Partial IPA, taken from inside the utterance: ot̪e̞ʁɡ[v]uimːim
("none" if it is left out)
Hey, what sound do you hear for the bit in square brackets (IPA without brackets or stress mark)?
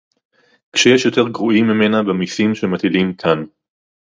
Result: ʁ